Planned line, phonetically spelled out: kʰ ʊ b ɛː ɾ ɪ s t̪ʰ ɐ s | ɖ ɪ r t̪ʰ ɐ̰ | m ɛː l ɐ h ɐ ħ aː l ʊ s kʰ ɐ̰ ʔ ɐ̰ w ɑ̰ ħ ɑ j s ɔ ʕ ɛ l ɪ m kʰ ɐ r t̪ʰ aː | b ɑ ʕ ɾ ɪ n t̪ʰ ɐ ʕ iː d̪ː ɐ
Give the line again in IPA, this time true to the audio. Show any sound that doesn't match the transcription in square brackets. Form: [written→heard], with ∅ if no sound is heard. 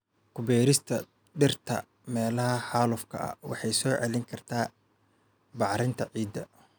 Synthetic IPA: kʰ ʊ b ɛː ɾ ɪ s t̪ʰ ɐ [s→∅] | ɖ ɪ r t̪ʰ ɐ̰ | m ɛː l ɐ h ɐ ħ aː l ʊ [s→f] kʰ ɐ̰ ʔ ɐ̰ w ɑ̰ ħ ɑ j s [ɔ→ɔː] ʕ ɛ l ɪ [m→ŋ] kʰ ɐ r t̪ʰ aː | b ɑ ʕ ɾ ɪ n t̪ʰ ɐ ʕ iː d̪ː ɐ